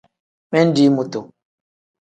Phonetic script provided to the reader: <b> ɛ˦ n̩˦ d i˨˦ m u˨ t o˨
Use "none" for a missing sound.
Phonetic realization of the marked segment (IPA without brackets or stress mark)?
m